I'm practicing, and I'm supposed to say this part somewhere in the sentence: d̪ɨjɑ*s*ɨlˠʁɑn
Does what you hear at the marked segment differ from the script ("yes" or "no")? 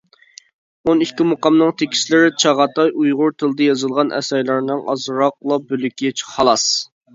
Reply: yes